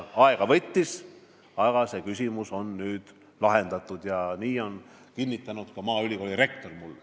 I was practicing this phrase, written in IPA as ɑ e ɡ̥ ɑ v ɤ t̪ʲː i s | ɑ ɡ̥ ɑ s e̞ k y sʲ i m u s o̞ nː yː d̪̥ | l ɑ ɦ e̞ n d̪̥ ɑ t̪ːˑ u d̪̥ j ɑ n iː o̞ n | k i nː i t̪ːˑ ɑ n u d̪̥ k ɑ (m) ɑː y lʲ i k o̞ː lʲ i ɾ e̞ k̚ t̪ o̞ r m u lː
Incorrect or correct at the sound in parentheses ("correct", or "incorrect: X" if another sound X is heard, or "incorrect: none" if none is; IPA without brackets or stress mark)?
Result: correct